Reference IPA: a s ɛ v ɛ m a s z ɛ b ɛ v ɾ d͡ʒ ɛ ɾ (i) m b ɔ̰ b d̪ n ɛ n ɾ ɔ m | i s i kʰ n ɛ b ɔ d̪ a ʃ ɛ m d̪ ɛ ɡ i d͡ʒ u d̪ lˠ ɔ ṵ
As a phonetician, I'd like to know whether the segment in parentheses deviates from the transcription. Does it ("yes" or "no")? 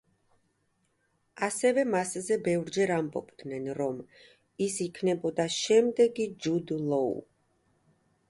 yes